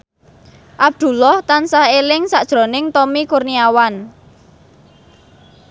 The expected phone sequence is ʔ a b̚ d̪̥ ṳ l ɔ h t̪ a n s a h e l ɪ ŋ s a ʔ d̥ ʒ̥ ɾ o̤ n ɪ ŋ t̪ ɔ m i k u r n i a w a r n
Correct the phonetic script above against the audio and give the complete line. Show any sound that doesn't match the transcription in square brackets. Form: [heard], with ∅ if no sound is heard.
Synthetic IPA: ʔ a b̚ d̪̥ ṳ l ɔ h t̪ a n s a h e l ɪ ŋ s a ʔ d̥ ʒ̥ ɾ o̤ n ɪ ŋ t̪ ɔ m i k u r n i a w a [∅] n